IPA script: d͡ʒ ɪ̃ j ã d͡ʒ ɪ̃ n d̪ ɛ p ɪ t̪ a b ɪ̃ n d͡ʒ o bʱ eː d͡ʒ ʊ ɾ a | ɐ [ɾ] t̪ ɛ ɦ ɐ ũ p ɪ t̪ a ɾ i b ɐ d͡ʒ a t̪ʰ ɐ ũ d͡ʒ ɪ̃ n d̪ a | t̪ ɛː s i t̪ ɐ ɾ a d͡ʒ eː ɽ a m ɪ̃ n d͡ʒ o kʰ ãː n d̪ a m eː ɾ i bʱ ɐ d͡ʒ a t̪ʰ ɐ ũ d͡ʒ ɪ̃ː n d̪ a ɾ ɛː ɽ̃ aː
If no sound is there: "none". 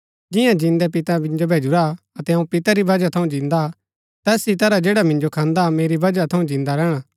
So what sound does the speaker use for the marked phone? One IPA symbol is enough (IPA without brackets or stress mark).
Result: none